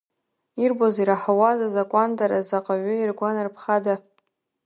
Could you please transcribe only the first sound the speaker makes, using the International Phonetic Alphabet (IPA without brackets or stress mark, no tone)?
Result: i